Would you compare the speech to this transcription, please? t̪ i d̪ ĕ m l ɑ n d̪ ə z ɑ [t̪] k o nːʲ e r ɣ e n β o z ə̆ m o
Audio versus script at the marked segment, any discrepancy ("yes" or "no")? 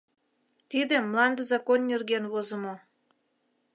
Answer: yes